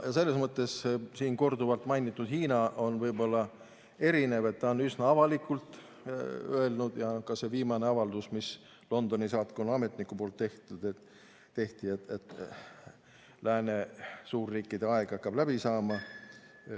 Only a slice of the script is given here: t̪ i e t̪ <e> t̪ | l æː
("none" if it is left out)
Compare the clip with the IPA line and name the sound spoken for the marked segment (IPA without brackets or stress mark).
e